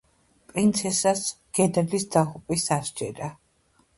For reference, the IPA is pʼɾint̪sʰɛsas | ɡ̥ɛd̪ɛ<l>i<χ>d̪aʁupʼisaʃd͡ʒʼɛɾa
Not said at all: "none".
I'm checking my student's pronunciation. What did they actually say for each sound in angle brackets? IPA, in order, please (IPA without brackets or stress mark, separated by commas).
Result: l, s